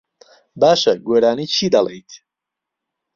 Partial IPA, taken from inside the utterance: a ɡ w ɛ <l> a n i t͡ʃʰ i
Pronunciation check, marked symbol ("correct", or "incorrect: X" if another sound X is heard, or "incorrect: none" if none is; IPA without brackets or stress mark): incorrect: ɾ